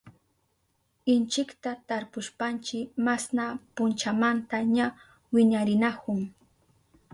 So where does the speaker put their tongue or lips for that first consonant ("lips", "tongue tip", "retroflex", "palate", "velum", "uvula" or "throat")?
tongue tip